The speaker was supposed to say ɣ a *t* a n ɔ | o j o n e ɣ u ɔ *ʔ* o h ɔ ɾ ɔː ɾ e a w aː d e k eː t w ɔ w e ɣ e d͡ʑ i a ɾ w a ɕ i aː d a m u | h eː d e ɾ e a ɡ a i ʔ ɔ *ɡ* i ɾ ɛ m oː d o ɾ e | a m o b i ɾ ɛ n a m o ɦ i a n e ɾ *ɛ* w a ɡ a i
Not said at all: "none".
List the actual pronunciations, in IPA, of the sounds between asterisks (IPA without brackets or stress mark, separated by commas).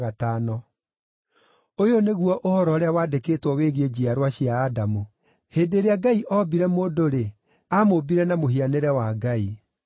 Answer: t, ʔ, b, ɛ